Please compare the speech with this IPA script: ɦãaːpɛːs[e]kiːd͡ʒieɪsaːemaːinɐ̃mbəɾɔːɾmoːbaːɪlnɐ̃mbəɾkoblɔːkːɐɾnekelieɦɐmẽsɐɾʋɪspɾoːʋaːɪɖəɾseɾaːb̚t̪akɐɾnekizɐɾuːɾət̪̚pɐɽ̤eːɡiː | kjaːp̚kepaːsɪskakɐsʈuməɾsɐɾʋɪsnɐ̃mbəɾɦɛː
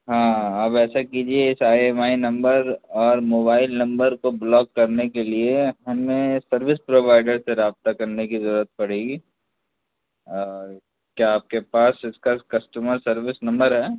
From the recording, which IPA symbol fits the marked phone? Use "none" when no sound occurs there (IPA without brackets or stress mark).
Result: a